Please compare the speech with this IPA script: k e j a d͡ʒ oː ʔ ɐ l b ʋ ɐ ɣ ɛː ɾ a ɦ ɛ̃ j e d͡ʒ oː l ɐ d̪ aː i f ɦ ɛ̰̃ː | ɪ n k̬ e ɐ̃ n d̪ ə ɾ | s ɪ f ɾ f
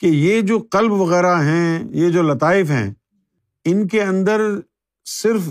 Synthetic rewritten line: k e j e d͡ʒ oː q ɐ l b ʋ ɐ ɣ ɛː ɾ a ɦ ɛ̃ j e d͡ʒ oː l ɐ t̪ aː ɪ f ɦ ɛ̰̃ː | ɪ n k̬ e ɐ̃ n d̪ ə ɾ | s ɪ ɾ f